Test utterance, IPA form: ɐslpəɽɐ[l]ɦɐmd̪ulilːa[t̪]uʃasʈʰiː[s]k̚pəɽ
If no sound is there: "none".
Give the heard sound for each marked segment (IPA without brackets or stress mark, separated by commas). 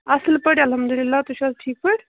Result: l, t̪, none